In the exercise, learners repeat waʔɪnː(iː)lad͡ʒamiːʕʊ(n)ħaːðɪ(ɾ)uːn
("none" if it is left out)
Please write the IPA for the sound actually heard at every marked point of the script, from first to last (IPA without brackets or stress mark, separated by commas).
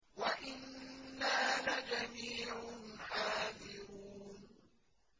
aː, n, ɾ